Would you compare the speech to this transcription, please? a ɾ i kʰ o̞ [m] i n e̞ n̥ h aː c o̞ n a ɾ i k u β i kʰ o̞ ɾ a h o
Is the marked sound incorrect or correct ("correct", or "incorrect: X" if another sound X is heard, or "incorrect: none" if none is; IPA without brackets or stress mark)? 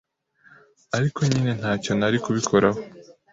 incorrect: ɲ